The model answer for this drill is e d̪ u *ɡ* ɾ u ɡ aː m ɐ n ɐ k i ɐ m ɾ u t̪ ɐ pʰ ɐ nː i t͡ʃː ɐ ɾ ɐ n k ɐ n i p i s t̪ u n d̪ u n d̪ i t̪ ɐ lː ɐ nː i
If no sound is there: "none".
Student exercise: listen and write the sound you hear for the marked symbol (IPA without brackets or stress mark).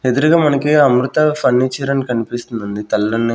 none